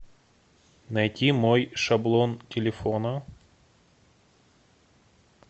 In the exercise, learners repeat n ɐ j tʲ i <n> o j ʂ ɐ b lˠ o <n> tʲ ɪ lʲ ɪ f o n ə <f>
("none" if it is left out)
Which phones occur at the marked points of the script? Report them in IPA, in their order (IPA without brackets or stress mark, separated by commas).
m, n, none